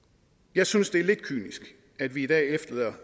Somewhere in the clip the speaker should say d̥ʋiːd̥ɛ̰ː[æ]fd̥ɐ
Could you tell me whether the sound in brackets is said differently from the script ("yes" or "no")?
yes